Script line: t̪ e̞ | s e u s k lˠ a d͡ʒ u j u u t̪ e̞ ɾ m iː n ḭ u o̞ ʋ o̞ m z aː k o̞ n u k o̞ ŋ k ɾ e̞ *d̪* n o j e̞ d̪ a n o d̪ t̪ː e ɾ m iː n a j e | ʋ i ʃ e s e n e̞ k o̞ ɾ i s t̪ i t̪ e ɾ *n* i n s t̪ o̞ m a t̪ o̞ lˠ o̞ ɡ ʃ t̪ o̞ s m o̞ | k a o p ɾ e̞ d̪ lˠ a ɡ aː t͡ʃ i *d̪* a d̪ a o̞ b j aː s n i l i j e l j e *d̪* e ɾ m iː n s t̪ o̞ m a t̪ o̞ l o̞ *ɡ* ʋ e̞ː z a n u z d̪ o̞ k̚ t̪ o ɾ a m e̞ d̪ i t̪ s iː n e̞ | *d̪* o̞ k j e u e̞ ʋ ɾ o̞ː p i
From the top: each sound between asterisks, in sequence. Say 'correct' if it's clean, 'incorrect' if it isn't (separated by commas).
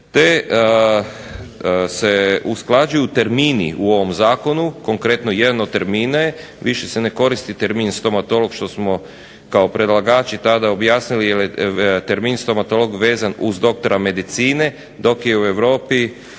incorrect, incorrect, incorrect, incorrect, correct, correct